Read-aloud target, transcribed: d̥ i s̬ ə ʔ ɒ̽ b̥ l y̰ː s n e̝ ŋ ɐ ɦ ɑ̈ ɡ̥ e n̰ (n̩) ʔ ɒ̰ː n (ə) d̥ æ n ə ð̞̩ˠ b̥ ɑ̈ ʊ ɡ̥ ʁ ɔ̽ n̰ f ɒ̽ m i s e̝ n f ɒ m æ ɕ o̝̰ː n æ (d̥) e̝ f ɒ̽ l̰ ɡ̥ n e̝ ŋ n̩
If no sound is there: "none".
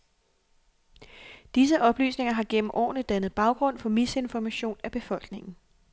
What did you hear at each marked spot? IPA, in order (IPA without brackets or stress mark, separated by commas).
m̩, ə, b̥